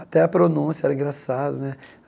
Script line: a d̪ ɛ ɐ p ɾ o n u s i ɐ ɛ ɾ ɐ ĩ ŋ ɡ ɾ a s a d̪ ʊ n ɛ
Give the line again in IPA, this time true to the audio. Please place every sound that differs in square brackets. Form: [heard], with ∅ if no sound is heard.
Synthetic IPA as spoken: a [t̪] ɛ ɐ p ɾ o n [ũ] s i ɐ ɛ ɾ ɐ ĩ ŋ ɡ ɾ a s a d̪ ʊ n ɛ